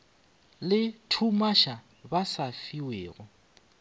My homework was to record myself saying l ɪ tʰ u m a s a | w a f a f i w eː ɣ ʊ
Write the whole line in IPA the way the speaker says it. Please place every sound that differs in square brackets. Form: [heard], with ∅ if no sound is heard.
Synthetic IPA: l ɪ tʰ u m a [ʃ] a | [b] a [s] a f i w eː ɣ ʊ